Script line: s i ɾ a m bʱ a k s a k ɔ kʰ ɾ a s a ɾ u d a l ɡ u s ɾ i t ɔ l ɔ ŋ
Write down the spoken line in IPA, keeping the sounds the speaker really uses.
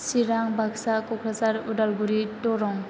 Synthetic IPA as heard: s i ɾ a ŋ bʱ a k s a k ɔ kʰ ɾ a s a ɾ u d a l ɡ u ɾ i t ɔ ɾ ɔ ŋ